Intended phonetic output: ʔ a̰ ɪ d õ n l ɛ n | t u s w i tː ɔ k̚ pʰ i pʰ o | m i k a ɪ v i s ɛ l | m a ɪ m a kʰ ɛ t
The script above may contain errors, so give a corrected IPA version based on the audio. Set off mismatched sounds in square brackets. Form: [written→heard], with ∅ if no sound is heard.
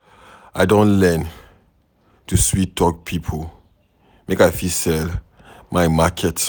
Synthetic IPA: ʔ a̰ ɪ d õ n l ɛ n | t u s w i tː ɔ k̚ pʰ i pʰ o | m [i→e] k a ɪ [v→f] i s ɛ l | m a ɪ m a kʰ ɛ t